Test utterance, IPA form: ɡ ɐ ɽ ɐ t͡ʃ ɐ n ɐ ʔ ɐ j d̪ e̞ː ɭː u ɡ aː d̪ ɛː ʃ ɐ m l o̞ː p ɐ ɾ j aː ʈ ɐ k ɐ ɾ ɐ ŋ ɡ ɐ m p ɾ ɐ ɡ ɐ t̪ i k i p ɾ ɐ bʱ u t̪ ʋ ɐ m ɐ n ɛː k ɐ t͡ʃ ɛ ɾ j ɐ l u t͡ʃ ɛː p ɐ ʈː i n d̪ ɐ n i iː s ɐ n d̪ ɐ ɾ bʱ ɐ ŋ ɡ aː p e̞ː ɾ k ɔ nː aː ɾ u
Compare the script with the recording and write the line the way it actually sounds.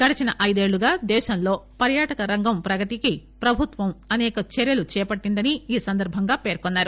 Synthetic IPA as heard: ɡ ɐ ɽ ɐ t͡ʃ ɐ n ɐ ʔ ɐ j d̪ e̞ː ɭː u ɡ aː d̪ ɛː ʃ ɐ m l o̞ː p ɐ ɾ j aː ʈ ɐ k ɐ ɾ ɐ ŋ ɡ ɐ m p ɾ ɐ ɡ ɐ t̪ i k i p ɾ ɐ bʱ u t̪ ʋ ɐ m ɐ n ɛː k ɐ t͡ʃ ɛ ɾ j ɐ l u t͡ʃ ɛː p ɐ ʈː i n d̪ ɐ n i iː s ɐ n d̪ ɐ ɾ bʱ ɐ ŋ ɡ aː p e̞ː ɾ k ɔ nː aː ɾ u